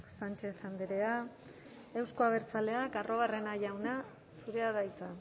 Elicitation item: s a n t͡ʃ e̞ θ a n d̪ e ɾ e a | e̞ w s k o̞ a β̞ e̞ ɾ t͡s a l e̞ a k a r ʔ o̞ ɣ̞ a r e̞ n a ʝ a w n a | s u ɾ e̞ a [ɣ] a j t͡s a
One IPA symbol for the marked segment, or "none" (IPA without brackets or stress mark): ð